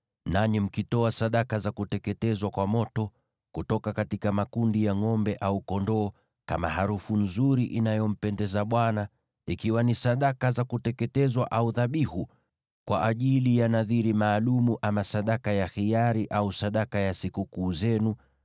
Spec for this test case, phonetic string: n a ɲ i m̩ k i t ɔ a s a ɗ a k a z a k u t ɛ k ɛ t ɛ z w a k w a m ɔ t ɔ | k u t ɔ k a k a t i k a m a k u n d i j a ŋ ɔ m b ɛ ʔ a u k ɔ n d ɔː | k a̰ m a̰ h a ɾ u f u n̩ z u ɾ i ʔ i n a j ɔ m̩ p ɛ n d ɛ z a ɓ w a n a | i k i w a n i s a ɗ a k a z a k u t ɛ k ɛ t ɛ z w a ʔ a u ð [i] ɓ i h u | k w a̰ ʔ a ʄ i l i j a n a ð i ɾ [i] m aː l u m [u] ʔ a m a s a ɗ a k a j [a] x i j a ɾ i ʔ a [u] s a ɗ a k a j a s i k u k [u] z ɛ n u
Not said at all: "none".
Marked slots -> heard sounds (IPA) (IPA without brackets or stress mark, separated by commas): a, i, u, a, u, uː